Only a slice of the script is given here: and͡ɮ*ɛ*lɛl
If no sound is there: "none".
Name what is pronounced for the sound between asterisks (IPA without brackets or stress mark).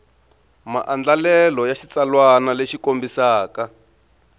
a